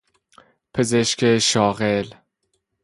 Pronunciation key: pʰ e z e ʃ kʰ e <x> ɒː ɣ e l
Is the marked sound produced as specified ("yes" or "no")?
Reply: no